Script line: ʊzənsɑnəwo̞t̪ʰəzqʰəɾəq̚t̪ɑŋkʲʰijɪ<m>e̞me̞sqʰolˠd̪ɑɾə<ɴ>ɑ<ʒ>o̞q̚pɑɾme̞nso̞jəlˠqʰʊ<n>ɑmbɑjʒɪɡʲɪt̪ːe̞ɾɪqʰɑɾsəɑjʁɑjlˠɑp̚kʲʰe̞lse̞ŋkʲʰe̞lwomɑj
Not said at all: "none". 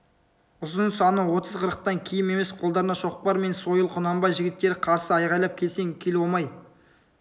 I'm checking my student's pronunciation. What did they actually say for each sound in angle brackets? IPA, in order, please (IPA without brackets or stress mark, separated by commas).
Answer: m, n, ʃ, n